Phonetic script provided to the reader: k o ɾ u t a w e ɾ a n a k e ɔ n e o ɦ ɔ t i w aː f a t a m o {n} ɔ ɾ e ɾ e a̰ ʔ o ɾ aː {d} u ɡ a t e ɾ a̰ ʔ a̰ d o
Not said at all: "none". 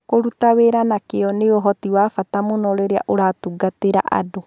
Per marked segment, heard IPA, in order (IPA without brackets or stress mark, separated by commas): n, t